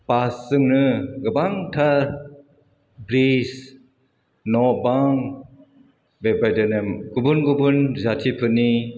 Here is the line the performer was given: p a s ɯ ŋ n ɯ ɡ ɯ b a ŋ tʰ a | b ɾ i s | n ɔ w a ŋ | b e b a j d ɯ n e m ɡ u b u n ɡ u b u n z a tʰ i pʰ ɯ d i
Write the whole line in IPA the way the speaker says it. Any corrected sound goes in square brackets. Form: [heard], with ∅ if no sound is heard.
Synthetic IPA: p a s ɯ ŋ n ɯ ɡ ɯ b a ŋ tʰ a | b ɾ i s | n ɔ [b] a ŋ | b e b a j d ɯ n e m ɡ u b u n ɡ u b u n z a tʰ i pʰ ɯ [n] i